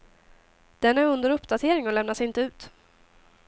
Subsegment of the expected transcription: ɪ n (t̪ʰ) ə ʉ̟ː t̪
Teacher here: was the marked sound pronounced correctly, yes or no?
no